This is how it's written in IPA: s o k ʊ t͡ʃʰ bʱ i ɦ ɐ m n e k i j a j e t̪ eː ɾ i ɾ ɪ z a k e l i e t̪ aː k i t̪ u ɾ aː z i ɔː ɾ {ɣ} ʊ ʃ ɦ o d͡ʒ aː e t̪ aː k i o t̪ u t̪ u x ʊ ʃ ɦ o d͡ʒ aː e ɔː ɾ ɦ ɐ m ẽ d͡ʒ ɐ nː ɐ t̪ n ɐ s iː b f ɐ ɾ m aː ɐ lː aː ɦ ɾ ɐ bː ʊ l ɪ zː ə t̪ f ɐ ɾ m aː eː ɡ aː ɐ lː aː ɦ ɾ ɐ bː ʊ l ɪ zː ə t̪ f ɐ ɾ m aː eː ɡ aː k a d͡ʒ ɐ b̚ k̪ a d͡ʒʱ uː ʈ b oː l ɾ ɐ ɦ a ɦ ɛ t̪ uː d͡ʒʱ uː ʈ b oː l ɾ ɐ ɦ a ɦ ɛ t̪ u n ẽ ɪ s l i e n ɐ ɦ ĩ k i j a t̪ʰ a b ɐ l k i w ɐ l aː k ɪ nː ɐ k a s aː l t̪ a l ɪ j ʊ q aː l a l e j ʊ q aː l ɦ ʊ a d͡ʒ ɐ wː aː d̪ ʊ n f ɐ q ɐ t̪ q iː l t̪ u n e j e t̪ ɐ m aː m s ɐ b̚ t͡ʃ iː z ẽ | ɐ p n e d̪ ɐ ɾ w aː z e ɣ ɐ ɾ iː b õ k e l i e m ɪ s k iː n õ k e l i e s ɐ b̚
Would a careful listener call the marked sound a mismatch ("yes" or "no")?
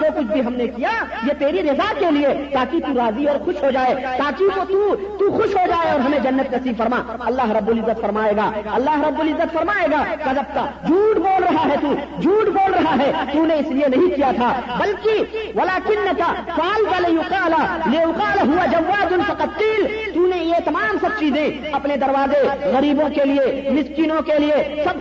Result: yes